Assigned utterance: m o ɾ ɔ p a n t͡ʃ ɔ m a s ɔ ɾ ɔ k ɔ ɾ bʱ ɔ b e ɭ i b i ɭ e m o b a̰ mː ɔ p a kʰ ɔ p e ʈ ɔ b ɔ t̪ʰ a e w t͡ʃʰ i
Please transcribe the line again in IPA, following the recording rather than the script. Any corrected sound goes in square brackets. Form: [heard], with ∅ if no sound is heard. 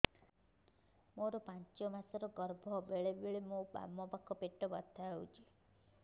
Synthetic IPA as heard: m o ɾ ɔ p a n t͡ʃ ɔ m a s ɔ ɾ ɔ [ɡ] ɔ ɾ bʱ ɔ b e ɭ [e] b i ɭ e m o b a̰ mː ɔ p a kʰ ɔ p e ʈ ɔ b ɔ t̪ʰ a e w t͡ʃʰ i

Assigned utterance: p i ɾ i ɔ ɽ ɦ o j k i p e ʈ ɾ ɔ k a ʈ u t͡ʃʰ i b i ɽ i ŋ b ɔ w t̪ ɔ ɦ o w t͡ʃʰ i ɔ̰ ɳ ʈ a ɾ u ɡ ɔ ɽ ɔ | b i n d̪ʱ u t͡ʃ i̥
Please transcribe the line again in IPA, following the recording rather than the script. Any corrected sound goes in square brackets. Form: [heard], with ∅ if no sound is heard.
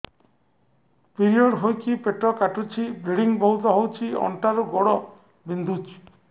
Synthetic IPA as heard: p i ɾ i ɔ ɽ ɦ o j k i p e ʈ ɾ ɔ k a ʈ u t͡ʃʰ i b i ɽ i ŋ b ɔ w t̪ ɔ ɦ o w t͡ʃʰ i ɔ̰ ɳ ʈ a ɾ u ɡ ɔ ɽ ɔ | b i n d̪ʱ u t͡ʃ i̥

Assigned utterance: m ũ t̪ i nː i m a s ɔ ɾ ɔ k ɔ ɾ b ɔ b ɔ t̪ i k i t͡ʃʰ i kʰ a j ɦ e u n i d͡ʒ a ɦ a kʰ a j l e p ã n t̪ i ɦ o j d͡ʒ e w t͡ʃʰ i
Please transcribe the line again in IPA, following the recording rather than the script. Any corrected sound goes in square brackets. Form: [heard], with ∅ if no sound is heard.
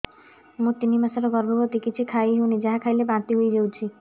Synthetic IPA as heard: m ũ t̪ i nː i m a s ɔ ɾ ɔ [ɡ] ɔ ɾ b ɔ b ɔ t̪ i k i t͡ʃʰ i kʰ a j ɦ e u n i d͡ʒ a ɦ a kʰ a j l e [b] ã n t̪ i ɦ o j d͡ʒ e w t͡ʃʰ i

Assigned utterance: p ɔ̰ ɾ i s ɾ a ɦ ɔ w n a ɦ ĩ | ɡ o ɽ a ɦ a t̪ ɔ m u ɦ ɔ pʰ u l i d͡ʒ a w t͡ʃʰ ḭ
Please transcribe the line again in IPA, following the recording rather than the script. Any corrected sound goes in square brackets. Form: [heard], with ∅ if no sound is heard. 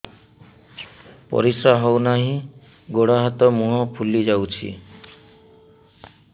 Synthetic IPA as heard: p ɔ̰ ɾ i s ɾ a ɦ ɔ w n a ɦ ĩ | ɡ o ɽ a ɦ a t̪ ɔ m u ɦ ɔ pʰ u l i d͡ʒ a w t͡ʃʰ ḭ

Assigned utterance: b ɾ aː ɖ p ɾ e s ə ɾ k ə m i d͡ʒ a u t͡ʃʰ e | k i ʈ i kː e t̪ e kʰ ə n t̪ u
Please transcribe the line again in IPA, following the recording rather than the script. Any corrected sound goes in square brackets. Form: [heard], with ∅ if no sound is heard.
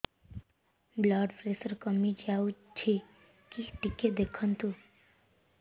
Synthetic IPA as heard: b [l] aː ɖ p ɾ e s ə ɾ k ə m i d͡ʒ a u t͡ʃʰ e | k i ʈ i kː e [d̪] e kʰ ə n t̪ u

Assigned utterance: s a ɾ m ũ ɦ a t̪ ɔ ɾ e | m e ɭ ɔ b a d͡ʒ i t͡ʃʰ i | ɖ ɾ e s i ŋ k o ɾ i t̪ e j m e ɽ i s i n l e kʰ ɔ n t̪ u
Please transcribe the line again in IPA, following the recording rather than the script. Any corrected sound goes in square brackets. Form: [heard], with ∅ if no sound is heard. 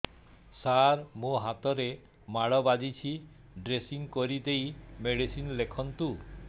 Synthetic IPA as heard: s a ɾ m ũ ɦ a t̪ ɔ ɾ e | m [a] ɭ ɔ b a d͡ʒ i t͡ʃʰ i | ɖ ɾ e s i ŋ k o ɾ i [d̪] e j m e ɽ i s i n l e kʰ ɔ n t̪ u

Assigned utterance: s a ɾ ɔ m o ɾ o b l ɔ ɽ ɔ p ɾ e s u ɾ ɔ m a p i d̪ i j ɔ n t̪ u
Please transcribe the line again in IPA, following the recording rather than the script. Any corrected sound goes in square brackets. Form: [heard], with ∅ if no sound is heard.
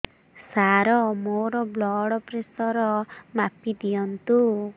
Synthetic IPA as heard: s a ɾ ɔ m o ɾ [ɔ] b l ɔ ɽ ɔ p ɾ e s [ɔ] ɾ ɔ m a p i d̪ i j ɔ n t̪ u

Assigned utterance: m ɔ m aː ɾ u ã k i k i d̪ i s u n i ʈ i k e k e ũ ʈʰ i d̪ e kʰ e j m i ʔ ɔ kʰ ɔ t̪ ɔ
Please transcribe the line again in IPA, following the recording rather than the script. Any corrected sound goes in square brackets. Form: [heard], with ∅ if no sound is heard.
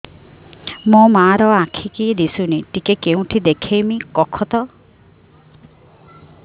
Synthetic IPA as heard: m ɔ m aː ɾ [ɔ] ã [kʰ] i k i d̪ i s u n i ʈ i k e k e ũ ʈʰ i d̪ e kʰ e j m i [k] ɔ kʰ ɔ t̪ ɔ

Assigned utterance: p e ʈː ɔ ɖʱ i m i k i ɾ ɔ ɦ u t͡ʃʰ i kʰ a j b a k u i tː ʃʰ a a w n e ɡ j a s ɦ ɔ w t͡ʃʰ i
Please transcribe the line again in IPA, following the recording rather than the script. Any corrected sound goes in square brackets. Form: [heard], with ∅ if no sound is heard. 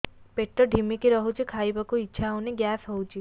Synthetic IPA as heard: p e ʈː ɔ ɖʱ i m i k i ɾ ɔ ɦ u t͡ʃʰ i kʰ a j b a k u i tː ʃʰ a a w n e ɡ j a s ɦ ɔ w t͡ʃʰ i

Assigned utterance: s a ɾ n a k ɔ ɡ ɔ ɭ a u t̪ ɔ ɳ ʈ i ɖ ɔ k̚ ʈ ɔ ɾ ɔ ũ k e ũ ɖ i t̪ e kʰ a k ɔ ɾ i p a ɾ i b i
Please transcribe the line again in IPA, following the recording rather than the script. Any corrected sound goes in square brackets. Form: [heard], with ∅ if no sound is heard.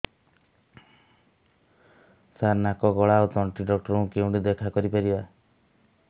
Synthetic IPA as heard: s a ɾ n a k ɔ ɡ ɔ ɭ a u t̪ ɔ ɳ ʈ i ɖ ɔ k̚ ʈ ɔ ɾ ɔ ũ k e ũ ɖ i [d̪] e kʰ a k ɔ ɾ i p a ɾ i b [a]

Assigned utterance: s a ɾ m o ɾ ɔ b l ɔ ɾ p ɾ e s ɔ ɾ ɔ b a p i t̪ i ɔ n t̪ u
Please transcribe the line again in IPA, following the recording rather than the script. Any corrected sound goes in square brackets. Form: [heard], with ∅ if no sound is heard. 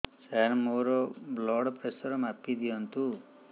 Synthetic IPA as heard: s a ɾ m o ɾ ɔ b l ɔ [ɽ] p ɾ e s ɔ ɾ ɔ [m] a p i [d̪] i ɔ n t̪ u

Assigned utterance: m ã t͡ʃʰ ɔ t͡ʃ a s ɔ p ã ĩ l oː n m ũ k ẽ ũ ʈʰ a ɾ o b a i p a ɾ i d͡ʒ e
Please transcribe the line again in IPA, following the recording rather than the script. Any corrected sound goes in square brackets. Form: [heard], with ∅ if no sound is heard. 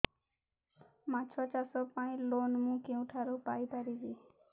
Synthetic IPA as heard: m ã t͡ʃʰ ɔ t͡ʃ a s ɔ p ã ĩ l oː n m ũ k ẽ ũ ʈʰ a ɾ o [p] a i p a ɾ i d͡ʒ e

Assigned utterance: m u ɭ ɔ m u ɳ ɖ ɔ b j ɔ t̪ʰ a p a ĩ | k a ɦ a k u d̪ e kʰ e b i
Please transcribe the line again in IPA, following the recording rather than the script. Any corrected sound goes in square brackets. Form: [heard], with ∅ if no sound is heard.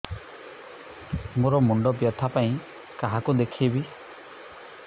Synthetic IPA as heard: m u [ɾ] ɔ m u ɳ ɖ ɔ b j ɔ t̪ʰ a p a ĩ | k a ɦ a k u d̪ e kʰ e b i

